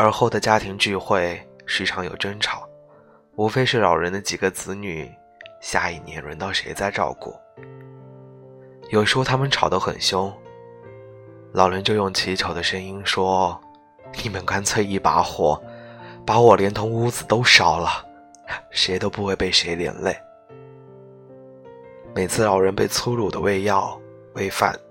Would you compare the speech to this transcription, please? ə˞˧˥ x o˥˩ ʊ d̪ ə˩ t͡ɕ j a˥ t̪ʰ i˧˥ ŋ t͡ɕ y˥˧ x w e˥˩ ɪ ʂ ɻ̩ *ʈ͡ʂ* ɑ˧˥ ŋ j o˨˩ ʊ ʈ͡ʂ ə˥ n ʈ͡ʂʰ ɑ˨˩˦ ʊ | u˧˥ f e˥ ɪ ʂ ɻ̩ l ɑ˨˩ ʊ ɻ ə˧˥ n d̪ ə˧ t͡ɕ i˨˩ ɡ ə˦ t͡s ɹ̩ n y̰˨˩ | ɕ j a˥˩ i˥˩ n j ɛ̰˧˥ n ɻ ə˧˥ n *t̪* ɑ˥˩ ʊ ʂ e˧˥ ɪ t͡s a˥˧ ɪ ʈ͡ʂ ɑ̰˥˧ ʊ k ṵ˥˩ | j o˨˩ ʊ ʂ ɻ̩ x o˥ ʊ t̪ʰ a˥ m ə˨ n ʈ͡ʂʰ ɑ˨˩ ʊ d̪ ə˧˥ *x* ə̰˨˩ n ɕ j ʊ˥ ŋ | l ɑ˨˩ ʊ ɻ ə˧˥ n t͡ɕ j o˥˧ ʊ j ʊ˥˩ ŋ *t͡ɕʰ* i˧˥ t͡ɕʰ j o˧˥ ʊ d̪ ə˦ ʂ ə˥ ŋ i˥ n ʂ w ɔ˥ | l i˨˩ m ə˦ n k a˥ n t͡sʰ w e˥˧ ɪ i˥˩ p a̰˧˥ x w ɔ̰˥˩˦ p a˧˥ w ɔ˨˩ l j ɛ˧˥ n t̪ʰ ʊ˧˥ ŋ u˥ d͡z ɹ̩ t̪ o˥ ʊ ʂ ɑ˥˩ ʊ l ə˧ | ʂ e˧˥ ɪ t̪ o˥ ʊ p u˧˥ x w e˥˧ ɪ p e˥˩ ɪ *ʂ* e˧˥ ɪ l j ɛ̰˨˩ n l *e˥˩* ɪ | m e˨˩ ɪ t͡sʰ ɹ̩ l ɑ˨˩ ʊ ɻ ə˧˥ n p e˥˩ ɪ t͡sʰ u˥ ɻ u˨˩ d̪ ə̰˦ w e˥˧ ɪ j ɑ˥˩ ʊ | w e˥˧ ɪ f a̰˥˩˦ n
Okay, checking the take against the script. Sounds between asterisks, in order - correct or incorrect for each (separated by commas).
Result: incorrect, correct, correct, correct, correct, correct